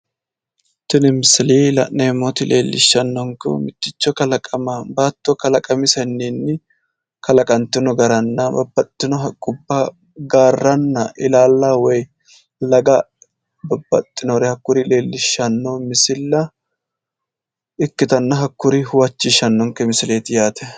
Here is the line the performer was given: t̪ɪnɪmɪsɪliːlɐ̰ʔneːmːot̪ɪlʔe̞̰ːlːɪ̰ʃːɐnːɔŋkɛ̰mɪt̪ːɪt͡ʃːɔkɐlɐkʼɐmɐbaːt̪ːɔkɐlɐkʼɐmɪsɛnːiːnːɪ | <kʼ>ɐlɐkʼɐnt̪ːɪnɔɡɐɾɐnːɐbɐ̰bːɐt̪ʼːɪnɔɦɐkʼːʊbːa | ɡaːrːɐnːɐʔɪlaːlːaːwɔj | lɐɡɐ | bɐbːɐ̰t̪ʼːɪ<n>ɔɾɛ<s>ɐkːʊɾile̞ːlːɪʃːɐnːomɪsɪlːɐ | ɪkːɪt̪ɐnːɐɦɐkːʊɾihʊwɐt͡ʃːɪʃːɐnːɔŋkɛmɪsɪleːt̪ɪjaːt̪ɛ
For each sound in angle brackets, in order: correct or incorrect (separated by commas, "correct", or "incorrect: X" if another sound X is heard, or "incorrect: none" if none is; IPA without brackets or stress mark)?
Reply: incorrect: k, correct, incorrect: h